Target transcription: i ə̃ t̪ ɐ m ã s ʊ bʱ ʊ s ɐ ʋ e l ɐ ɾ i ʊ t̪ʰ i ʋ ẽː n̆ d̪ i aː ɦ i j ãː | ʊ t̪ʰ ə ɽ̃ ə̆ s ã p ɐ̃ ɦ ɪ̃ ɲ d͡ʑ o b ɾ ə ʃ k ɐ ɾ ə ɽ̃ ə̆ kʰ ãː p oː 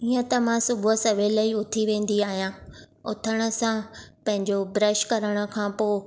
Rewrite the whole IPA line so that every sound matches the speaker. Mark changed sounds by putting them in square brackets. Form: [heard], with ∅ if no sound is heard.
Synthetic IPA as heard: i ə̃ t̪ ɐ m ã s ʊ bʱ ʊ s ɐ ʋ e l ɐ [∅] i ʊ t̪ʰ i ʋ ẽː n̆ d̪ i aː ɦ i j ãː | ʊ t̪ʰ ə ɽ̃ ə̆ s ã p ɐ̃ ɦ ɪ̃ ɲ d͡ʑ o b ɾ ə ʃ k ɐ ɾ ə ɽ̃ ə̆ kʰ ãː p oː